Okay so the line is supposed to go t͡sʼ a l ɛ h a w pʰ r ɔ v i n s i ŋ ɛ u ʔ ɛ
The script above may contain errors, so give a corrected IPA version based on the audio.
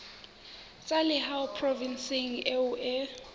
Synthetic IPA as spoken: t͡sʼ a l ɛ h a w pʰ r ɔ v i n s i ŋ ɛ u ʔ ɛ